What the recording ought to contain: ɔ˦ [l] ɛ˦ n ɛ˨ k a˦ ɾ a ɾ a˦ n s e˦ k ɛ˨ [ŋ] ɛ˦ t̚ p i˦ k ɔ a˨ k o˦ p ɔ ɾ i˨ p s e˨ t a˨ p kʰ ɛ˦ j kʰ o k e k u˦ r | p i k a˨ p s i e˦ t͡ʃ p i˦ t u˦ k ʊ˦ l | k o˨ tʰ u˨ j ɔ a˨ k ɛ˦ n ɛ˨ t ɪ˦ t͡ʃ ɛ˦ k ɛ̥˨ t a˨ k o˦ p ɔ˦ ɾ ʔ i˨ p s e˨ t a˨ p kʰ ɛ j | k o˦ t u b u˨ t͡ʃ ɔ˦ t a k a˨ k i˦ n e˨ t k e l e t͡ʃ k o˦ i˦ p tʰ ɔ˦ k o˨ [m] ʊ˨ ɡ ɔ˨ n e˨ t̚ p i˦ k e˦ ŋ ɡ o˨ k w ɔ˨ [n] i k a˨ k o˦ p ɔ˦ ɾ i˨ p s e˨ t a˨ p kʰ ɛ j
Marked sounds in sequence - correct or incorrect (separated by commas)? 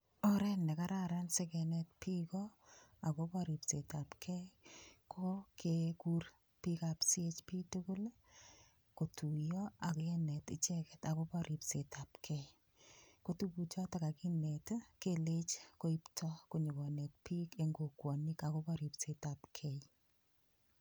incorrect, incorrect, incorrect, correct